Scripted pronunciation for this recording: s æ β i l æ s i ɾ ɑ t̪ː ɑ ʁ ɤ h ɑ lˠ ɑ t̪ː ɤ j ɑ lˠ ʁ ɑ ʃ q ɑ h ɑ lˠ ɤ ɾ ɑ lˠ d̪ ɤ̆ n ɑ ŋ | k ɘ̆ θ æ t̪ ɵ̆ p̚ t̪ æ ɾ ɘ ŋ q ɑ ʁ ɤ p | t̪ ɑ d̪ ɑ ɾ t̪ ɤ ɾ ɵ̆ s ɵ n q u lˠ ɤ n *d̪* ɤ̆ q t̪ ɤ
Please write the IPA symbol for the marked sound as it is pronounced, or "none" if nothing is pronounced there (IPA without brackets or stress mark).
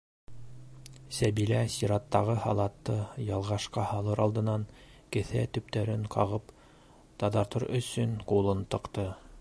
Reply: t̪